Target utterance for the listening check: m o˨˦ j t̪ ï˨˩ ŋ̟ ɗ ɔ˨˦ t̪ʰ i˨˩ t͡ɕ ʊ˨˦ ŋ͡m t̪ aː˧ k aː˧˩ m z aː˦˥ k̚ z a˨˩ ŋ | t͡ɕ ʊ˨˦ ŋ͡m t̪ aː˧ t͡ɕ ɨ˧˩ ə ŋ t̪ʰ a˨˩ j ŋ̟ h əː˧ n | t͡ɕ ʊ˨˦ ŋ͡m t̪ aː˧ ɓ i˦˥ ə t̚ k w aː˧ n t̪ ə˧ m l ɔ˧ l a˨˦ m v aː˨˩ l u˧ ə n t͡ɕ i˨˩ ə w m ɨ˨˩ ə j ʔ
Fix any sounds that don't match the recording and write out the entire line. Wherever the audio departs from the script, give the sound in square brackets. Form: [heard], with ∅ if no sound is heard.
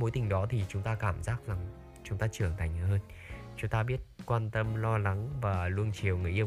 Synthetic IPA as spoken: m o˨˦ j t̪ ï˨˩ ŋ̟ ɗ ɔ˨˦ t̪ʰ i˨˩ t͡ɕ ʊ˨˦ ŋ͡m t̪ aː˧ k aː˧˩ m z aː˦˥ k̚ z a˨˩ ŋ | t͡ɕ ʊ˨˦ ŋ͡m t̪ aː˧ t͡ɕ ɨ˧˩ ə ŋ t̪ʰ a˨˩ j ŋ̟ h əː˧ n | t͡ɕ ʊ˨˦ ŋ͡m t̪ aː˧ ɓ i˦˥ ə t̚ k w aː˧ n t̪ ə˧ m l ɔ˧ l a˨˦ [ŋ] v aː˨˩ l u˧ ə n t͡ɕ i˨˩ ə w [ŋ] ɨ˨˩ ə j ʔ